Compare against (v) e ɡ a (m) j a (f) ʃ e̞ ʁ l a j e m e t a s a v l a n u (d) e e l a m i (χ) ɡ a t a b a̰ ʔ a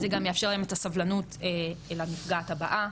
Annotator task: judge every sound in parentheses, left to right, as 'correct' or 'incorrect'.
incorrect: z, correct, correct, incorrect: t, incorrect: f

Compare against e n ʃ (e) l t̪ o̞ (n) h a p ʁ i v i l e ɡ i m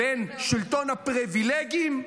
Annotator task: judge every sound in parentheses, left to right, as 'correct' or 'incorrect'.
incorrect: i, correct

